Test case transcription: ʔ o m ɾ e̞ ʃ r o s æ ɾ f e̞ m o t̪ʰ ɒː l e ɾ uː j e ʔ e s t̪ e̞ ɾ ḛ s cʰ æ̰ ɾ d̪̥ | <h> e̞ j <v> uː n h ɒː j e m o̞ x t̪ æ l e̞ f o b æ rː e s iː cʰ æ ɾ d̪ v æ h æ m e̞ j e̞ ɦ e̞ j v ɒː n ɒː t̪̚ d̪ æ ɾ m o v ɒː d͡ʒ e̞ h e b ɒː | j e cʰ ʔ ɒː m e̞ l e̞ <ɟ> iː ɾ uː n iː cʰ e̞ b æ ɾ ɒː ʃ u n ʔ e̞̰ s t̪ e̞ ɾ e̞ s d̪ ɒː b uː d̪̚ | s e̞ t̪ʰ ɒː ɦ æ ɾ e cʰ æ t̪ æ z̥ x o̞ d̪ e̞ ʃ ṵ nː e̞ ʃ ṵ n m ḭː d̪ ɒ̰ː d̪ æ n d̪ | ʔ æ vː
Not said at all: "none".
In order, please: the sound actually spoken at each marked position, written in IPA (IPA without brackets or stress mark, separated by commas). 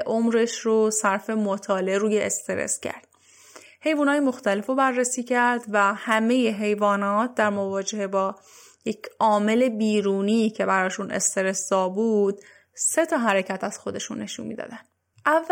h, v, b